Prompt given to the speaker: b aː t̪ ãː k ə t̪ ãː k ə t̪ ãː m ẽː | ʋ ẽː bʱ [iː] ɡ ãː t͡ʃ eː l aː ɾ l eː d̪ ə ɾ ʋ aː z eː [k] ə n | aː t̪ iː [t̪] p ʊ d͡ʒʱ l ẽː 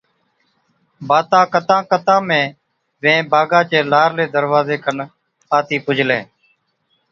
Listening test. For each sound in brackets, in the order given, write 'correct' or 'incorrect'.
incorrect: aː, correct, incorrect: none

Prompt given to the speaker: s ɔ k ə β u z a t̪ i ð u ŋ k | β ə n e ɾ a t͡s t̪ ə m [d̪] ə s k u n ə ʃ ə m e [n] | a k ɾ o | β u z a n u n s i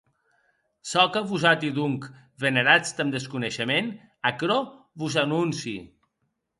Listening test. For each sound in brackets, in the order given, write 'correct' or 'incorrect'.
correct, correct

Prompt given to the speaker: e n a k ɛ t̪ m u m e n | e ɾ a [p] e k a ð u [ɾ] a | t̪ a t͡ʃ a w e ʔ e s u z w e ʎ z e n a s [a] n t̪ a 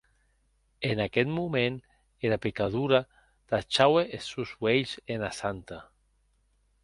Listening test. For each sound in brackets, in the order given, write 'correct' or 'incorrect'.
correct, correct, correct

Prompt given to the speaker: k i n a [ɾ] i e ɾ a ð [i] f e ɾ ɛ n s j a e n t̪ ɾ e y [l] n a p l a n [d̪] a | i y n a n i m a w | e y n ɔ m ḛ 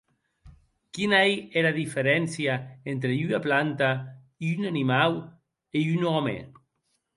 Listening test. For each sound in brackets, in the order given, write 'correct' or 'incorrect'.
incorrect: none, correct, incorrect: none, incorrect: t̪

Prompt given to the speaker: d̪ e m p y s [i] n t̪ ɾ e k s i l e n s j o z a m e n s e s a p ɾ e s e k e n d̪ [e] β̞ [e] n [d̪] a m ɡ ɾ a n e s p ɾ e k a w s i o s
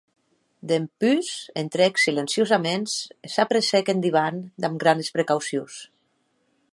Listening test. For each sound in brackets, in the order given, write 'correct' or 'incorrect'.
incorrect: e, incorrect: i, incorrect: a, correct

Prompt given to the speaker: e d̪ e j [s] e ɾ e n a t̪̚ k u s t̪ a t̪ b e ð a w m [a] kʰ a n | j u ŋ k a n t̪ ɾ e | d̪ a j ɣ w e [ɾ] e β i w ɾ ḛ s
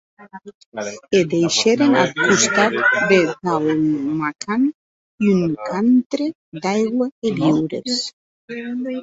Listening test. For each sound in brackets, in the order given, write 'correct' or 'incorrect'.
incorrect: ʃ, correct, incorrect: none

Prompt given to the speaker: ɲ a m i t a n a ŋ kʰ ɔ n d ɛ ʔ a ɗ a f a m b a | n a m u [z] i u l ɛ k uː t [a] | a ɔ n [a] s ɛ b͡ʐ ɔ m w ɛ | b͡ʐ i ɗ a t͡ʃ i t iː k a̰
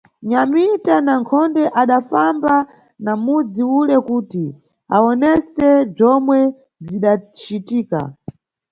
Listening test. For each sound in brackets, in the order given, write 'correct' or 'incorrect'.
incorrect: d͡z, incorrect: i, incorrect: ɛ

